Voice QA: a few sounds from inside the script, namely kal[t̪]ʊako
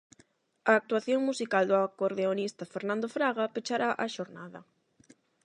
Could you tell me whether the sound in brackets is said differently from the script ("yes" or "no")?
yes